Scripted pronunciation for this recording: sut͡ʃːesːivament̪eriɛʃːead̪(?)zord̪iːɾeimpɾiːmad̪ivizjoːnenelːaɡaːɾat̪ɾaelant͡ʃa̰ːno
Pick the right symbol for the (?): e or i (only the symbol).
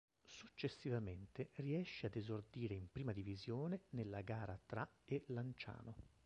e